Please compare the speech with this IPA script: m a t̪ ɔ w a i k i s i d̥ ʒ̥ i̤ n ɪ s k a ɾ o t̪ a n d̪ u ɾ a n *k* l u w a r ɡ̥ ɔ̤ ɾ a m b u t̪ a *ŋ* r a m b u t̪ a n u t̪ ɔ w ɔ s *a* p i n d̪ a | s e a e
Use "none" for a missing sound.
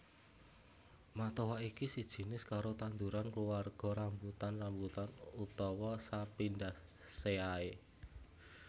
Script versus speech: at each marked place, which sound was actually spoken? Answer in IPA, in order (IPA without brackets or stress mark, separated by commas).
k, n, a